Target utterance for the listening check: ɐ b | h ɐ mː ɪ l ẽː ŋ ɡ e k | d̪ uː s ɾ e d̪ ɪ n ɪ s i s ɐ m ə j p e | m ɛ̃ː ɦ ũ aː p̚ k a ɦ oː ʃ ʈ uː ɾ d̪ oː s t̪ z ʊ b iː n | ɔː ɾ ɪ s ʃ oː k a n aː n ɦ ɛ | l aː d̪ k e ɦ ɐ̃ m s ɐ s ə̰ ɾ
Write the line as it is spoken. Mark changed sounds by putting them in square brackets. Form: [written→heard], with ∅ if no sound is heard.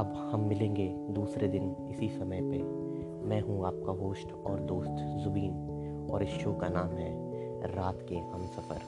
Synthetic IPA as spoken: ɐ b | h ɐ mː ɪ l ẽː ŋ ɡ e [k→∅] | d̪ uː s ɾ e d̪ ɪ n ɪ s i s ɐ m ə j p e | m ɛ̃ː ɦ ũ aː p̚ k a ɦ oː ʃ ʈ [uː→ɔː] ɾ d̪ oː s t̪ z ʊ b iː n | ɔː ɾ ɪ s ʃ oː k a n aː [n→m] ɦ ɛ | [l→ɾ] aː [d̪→t̪] k e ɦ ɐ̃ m s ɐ [s→f] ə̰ ɾ